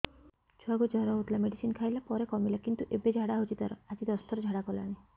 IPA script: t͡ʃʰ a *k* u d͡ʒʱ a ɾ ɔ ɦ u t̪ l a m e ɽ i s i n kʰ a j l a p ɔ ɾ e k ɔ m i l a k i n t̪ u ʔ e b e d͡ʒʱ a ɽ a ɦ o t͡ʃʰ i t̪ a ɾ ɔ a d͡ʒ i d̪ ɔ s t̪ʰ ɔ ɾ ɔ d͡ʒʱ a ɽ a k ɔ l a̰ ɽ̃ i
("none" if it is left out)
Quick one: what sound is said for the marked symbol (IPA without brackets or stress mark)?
ɡ